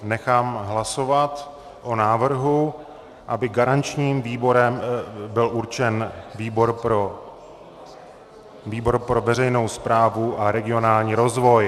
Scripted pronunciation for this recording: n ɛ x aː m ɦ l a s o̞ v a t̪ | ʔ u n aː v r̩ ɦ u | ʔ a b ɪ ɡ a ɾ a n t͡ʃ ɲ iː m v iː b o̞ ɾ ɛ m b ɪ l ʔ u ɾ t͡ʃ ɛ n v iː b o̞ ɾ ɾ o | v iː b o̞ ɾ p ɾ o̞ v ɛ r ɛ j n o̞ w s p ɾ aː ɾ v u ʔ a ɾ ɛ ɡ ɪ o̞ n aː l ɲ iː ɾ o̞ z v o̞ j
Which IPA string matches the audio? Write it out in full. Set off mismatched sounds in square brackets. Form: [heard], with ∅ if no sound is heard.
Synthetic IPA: n ɛ x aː m ɦ l a s o̞ v a t̪ | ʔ [o] n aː v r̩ ɦ u | ʔ a b ɪ ɡ a ɾ a n t͡ʃ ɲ iː m v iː b o̞ ɾ ɛ m b ɪ l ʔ u ɾ t͡ʃ ɛ n v iː b o̞ ɾ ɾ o | v iː b o̞ ɾ p ɾ o̞ v ɛ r ɛ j n o̞ w s p ɾ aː [∅] v u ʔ a ɾ ɛ ɡ ɪ o̞ n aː l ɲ iː ɾ o̞ z v o̞ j